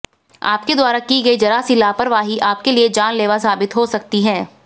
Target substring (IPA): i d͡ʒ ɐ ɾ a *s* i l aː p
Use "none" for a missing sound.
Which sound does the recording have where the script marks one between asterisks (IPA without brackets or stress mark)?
s